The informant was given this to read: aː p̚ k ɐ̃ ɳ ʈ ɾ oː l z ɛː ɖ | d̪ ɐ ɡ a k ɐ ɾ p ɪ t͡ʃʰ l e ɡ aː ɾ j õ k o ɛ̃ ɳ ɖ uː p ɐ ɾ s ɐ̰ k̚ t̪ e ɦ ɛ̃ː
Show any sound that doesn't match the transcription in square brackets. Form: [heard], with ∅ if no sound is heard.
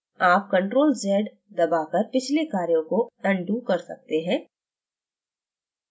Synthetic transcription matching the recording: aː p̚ k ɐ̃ ɳ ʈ ɾ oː l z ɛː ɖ | d̪ ɐ [b] a k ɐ ɾ p ɪ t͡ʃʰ l e [k] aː ɾ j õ k o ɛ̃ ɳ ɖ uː [k] ɐ ɾ s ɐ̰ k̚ t̪ e ɦ ɛ̃ː